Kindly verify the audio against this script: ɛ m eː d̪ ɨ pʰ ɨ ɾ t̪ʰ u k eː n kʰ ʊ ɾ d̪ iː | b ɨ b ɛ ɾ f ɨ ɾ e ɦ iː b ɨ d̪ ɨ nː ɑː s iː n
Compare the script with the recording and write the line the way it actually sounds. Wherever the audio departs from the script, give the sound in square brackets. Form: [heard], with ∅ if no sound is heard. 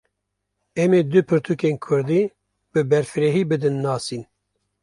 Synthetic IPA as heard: ɛ m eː d̪ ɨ pʰ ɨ ɾ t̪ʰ u k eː n kʰ ʊ ɾ d̪ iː | b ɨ b ɛ ɾ f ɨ ɾ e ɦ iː b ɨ d̪ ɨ nː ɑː s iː n